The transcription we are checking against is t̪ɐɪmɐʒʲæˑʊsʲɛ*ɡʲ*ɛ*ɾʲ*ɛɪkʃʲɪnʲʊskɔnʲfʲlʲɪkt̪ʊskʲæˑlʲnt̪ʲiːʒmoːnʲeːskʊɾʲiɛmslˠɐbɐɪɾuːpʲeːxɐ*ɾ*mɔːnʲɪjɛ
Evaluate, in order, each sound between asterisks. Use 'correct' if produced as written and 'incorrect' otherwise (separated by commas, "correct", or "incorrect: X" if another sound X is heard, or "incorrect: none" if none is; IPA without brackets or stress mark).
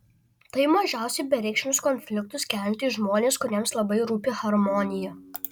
incorrect: bʲ, correct, correct